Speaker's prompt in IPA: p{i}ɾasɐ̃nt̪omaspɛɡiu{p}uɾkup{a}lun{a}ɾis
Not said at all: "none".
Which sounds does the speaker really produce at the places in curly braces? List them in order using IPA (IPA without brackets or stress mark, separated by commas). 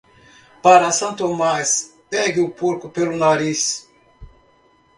a, p, e, a